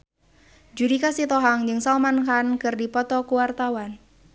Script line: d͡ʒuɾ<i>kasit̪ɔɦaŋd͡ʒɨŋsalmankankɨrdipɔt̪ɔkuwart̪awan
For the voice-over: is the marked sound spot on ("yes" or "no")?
yes